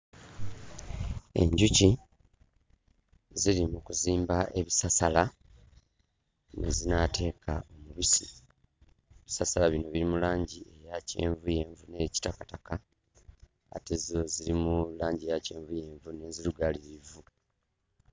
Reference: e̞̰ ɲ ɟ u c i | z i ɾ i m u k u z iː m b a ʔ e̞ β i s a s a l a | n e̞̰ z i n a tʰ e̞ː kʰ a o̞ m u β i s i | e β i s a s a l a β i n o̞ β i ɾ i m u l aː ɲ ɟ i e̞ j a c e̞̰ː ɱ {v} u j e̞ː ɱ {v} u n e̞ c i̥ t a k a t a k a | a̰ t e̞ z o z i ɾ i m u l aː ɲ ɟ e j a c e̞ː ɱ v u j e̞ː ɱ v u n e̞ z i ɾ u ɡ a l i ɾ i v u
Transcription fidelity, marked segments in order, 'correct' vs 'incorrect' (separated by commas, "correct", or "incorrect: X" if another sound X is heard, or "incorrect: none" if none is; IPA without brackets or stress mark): correct, correct